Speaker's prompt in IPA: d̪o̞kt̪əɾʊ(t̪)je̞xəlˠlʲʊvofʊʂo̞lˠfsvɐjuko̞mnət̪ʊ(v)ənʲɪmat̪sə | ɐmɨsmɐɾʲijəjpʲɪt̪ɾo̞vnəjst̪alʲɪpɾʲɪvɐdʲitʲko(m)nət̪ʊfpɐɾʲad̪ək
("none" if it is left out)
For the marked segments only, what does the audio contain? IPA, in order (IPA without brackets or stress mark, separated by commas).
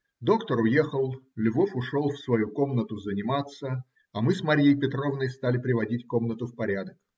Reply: none, z, m